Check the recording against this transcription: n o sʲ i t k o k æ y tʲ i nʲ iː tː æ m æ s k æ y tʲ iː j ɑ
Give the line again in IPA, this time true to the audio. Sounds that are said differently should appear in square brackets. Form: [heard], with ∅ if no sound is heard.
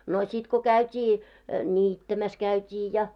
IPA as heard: n o sʲ i t k o k æ y tʲ [iː] nʲ iː tː æ m æ s k æ y tʲ iː j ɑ